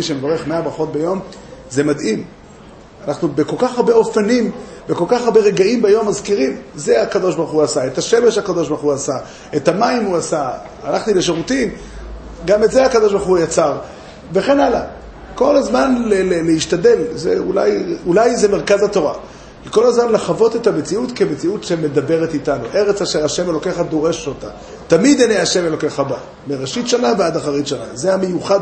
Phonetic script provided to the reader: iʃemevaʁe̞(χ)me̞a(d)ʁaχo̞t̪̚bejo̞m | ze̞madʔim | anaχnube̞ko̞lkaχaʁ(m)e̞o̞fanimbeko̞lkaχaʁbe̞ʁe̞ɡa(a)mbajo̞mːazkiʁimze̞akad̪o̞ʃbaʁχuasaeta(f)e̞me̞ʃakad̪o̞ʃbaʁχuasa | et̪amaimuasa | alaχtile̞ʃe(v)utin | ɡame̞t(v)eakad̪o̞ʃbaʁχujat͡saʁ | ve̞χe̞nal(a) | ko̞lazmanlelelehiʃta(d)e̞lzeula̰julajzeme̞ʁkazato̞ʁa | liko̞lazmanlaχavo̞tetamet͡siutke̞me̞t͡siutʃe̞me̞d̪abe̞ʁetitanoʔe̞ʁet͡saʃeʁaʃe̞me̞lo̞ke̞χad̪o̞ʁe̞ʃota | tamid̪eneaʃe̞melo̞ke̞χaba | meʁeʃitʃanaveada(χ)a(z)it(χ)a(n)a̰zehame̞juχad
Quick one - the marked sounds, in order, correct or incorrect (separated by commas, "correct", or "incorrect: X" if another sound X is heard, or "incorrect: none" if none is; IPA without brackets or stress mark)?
correct, incorrect: b, incorrect: b, incorrect: i, incorrect: ʃ, incorrect: ʁ, incorrect: z, correct, correct, correct, incorrect: ʁ, incorrect: ʃ, correct